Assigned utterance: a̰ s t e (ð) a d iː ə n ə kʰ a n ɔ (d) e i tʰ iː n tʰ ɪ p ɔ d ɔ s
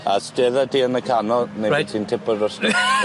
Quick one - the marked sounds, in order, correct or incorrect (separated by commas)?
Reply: correct, incorrect